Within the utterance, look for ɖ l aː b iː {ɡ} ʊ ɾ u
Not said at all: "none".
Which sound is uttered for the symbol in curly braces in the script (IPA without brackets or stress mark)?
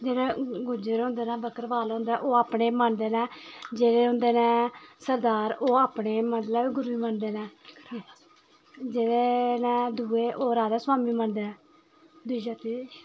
ɡ